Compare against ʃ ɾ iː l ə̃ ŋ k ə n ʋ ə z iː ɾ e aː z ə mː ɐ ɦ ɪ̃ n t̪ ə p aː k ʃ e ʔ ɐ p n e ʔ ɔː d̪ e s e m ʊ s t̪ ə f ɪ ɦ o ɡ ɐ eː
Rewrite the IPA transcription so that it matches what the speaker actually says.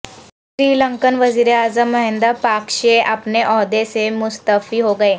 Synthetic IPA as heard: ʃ ɾ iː l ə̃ ŋ k ə n ʋ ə z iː ɾ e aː z ə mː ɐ ɦ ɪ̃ n d̪ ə p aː k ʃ e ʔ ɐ p n e ʔ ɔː d̪ e s e m ʊ s t̪ ə f i ɦ o ɡ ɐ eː